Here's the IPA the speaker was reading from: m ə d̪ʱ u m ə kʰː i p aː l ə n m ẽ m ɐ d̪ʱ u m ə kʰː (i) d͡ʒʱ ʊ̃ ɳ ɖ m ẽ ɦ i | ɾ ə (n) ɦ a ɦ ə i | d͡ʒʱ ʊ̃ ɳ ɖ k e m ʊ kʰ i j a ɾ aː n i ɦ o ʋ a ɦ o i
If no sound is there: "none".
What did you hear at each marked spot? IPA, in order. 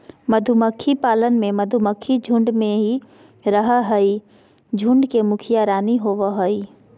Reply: i, none

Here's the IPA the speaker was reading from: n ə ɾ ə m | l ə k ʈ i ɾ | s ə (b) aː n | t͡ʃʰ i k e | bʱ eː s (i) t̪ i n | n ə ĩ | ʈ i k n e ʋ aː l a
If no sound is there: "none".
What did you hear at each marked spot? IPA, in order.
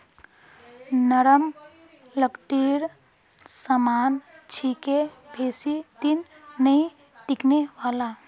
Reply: m, i

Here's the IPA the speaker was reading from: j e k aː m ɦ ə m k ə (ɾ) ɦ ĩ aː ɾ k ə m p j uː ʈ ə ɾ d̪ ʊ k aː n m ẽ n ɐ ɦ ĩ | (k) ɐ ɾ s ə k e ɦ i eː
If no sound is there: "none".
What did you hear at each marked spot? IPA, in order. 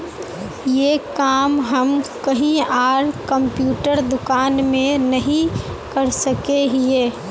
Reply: none, k

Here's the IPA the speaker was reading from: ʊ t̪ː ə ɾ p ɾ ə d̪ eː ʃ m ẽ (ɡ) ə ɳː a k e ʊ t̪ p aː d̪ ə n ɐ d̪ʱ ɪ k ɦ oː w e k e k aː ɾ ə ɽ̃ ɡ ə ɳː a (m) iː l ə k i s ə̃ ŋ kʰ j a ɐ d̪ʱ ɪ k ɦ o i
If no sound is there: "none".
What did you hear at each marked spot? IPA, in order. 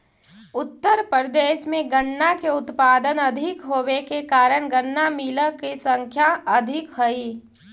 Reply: ɡ, m

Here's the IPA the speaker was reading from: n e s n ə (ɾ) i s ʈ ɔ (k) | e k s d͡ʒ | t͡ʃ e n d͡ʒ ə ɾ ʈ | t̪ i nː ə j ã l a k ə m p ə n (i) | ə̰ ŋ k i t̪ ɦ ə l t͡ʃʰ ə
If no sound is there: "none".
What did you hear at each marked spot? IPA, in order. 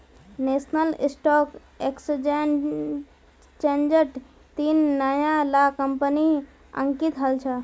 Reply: l, k, i

